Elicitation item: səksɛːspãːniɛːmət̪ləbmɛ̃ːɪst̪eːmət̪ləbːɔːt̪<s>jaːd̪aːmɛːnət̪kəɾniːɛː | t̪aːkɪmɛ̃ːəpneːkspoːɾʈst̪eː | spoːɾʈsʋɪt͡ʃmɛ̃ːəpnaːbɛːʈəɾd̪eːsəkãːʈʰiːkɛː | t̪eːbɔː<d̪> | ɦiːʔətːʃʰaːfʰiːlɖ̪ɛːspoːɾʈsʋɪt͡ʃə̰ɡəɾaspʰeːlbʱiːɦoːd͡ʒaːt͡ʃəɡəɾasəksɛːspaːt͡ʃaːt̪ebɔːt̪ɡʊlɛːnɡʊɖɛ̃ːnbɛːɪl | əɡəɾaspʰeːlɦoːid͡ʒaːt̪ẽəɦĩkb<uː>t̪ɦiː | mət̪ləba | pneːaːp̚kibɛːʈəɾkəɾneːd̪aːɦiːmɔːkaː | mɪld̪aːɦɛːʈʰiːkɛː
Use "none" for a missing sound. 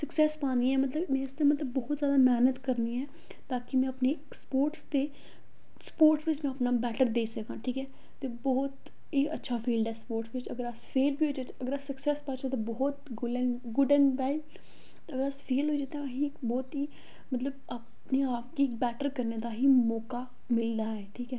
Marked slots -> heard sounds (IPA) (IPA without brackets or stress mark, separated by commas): z, t̪, ɔː